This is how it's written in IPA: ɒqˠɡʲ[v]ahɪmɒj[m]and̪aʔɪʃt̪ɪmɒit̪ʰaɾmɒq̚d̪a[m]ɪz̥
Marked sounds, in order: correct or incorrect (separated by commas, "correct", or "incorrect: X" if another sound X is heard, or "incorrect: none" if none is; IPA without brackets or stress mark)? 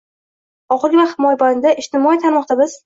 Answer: correct, incorrect: b, incorrect: b